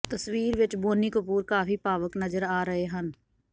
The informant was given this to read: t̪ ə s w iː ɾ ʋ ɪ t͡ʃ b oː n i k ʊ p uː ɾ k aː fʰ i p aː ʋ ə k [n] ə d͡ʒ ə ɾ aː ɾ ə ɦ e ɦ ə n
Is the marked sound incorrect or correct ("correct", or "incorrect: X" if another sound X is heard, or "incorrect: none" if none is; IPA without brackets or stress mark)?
correct